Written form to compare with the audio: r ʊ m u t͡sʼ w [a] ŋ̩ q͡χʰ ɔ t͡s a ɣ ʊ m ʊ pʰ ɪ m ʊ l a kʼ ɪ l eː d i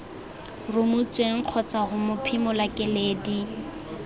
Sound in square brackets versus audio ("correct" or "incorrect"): incorrect